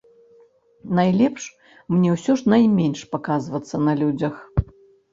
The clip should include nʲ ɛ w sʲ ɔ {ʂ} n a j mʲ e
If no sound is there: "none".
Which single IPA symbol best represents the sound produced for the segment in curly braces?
ʂ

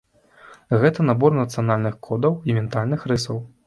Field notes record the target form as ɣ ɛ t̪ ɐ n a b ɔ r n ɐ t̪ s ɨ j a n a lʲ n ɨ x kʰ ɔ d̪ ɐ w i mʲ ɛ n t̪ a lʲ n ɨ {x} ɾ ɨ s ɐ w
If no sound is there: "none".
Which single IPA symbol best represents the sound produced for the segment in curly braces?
x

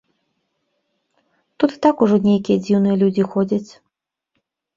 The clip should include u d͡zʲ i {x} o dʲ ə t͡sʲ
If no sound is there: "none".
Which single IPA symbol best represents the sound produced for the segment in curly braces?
x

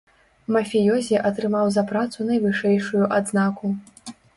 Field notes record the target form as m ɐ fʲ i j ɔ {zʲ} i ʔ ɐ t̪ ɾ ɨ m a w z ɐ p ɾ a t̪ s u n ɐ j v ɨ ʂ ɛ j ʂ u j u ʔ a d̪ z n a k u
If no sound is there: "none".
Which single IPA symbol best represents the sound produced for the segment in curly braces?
zʲ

